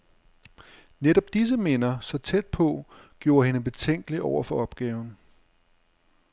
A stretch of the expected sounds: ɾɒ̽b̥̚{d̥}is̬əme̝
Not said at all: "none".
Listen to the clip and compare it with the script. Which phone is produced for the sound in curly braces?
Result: d̥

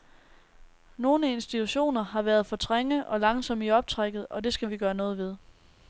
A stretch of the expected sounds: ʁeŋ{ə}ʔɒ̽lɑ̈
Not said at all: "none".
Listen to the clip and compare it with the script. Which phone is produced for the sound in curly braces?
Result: ə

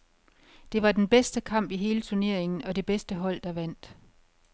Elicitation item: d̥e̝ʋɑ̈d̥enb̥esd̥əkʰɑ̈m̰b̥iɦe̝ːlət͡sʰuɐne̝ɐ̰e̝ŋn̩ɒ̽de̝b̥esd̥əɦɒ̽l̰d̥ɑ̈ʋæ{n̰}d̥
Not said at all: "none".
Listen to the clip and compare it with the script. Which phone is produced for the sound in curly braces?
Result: n̰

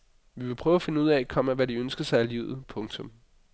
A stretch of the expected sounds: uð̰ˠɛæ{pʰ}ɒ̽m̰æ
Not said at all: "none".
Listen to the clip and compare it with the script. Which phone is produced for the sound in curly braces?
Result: kʰ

